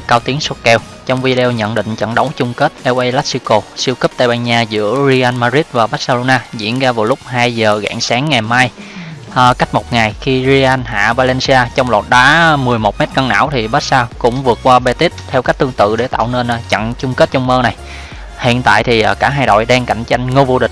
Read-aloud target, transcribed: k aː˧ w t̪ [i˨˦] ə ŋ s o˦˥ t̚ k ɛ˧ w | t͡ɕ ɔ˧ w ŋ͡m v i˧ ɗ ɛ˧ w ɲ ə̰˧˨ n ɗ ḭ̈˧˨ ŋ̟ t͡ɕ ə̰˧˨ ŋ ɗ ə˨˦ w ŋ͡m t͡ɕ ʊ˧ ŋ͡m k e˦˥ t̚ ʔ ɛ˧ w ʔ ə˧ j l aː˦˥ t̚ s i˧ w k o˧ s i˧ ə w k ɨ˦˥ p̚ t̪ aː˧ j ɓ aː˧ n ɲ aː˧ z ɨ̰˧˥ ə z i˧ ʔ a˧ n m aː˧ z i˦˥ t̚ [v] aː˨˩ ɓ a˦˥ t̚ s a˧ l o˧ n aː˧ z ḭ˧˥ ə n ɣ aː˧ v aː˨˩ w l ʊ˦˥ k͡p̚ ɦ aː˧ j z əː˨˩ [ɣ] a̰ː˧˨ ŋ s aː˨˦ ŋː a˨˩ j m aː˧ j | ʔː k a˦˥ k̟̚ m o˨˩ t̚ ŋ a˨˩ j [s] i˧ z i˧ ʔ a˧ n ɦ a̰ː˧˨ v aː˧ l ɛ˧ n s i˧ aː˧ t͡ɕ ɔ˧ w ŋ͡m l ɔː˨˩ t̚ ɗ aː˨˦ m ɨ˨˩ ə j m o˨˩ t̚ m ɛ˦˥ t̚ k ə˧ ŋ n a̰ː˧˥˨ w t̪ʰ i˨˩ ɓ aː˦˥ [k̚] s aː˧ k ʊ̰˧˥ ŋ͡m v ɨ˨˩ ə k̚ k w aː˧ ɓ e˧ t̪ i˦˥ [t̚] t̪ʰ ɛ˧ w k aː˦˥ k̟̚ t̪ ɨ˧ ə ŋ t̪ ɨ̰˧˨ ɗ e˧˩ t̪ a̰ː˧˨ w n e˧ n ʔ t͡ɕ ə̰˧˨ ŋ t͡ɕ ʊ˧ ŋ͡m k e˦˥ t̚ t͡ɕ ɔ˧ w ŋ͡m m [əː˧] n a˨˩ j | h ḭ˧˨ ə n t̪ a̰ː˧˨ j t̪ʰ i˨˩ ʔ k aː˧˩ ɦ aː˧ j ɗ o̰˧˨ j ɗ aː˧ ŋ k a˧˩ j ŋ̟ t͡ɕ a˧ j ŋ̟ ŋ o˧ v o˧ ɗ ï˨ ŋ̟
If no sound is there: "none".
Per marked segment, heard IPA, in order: i˨˦, v, ɣ, x, t̚, t̚, əː˧

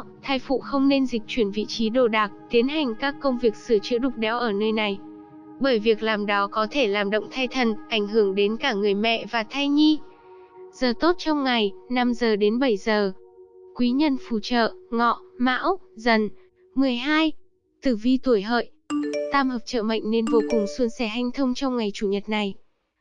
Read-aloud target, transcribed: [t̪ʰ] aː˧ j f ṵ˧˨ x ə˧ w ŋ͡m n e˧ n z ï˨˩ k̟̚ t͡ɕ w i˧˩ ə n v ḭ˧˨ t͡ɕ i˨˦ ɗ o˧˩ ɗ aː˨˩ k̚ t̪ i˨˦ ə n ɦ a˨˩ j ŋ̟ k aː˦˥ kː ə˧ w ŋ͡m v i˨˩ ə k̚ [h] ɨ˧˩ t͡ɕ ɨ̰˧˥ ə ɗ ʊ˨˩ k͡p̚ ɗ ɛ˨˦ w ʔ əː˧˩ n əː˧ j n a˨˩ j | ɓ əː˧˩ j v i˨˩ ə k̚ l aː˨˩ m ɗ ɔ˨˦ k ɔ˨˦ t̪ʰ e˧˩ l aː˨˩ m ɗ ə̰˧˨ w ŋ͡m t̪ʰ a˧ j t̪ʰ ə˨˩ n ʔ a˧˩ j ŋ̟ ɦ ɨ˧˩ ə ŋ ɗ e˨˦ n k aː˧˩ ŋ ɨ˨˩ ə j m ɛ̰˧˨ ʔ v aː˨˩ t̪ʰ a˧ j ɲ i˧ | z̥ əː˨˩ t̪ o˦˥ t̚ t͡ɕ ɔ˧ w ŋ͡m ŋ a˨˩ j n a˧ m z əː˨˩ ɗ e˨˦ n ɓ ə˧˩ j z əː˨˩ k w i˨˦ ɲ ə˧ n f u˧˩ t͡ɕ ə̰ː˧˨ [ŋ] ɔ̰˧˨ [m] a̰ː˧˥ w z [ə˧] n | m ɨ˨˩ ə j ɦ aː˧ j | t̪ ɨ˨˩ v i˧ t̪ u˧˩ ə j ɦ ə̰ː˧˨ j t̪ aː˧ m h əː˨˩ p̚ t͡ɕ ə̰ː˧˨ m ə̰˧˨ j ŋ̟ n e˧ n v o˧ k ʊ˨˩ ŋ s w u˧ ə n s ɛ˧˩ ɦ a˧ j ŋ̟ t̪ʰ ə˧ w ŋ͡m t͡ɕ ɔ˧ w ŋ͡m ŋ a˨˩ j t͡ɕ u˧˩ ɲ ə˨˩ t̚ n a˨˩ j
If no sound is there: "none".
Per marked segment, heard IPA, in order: t̪ʰ, s, ŋ, m, ə˨˩

